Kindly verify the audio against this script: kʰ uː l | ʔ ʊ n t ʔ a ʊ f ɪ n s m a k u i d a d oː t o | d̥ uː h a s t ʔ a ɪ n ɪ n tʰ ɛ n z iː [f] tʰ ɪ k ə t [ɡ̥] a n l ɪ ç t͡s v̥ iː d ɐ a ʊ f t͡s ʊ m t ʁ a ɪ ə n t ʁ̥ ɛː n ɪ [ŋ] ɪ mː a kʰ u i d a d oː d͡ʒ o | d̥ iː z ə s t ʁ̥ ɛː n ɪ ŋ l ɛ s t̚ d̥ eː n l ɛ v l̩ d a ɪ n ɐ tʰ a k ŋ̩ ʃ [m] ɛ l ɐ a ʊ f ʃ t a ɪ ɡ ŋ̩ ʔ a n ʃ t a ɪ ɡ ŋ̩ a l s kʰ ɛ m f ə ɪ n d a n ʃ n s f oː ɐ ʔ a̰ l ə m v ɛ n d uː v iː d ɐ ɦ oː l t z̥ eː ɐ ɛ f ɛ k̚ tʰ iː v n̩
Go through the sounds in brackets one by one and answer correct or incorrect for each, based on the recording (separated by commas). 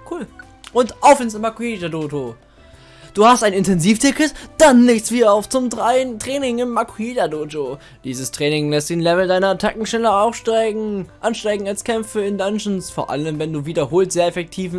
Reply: correct, incorrect, correct, incorrect